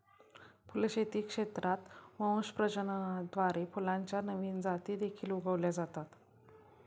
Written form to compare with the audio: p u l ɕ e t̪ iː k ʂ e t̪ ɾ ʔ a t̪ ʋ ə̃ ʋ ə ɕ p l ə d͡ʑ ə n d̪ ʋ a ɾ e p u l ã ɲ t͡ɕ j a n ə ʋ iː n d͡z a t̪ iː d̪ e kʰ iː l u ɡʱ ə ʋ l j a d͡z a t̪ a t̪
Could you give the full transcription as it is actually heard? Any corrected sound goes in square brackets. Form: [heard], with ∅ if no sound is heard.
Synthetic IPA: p u l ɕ e t̪ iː k ʂ e t̪ ɾ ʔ a t̪ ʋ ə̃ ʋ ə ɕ p [ɾ] ə d͡ʑ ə n d̪ ʋ a ɾ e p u l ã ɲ t͡ɕ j a n ə ʋ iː n d͡z a t̪ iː d̪ e kʰ iː l u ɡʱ ə ʋ l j a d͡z a t̪ a t̪